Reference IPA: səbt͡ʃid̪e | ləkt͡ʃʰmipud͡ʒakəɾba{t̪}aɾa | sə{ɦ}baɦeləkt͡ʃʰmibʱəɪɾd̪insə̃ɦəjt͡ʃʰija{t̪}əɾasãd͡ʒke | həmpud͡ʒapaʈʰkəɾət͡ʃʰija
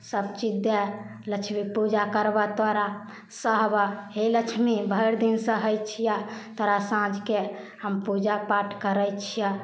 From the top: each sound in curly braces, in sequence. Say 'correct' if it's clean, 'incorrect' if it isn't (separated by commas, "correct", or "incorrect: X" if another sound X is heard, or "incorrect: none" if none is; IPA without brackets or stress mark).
correct, correct, correct